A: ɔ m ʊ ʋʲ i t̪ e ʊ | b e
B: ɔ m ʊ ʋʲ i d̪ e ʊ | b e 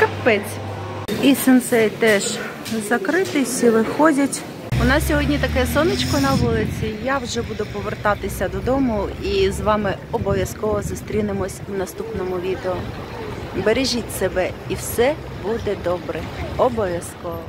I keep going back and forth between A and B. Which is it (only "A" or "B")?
B